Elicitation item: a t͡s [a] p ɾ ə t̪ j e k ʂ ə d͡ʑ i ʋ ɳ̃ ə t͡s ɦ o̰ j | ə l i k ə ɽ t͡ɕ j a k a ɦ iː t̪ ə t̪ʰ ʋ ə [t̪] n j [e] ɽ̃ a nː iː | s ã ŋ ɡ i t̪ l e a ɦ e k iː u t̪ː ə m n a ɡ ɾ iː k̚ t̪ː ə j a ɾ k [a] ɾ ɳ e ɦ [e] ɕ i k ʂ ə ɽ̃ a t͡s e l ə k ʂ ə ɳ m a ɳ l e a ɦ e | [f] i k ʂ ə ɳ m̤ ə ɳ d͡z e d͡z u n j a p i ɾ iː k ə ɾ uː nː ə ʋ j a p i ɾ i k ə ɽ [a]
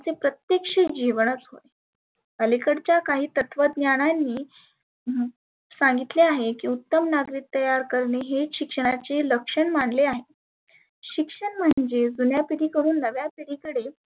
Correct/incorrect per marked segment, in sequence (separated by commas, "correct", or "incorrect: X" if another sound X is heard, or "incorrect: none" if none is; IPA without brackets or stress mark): incorrect: e, incorrect: d̪, incorrect: a, incorrect: ə, correct, incorrect: ɕ, incorrect: e